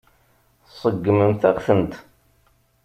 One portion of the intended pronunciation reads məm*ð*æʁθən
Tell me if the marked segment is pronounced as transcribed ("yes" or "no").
no